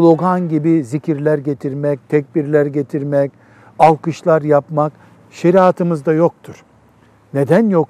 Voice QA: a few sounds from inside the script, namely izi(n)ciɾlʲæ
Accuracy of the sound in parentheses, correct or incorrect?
incorrect